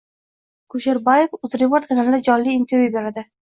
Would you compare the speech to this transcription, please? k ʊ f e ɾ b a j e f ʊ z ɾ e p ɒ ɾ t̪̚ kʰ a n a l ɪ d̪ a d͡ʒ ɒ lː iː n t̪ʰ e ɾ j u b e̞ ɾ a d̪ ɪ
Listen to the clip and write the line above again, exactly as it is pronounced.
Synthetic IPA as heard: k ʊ ʃ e ɾ b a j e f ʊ z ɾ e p o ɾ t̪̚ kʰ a n a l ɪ d̪ a d͡ʒ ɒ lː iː n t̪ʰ e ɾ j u b e̞ ɾ a d̪ ɪ